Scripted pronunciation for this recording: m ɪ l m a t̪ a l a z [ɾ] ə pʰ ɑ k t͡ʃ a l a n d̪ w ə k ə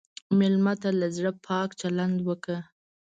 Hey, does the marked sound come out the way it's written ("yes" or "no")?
no